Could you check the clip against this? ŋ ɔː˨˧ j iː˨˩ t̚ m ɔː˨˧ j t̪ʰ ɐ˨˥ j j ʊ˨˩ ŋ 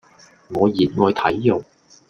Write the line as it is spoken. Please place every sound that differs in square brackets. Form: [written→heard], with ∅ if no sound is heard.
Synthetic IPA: ŋ ɔː˨˧ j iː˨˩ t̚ [m→ŋ] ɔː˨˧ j t̪ʰ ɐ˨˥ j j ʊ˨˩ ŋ